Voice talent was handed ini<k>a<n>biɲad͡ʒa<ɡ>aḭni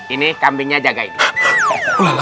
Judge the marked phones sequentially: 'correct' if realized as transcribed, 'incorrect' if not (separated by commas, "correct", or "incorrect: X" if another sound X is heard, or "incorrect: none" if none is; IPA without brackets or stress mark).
correct, incorrect: m, correct